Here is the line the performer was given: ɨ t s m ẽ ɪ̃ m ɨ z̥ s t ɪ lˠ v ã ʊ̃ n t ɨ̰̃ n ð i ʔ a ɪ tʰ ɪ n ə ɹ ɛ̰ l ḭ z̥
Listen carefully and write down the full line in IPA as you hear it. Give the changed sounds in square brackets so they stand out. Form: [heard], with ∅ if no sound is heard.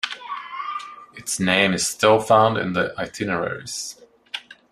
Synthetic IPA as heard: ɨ t s [n] ẽ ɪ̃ m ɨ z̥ s t ɪ lˠ [f] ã ʊ̃ n [d] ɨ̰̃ n ð i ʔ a ɪ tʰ ɪ n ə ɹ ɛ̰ [ɹ] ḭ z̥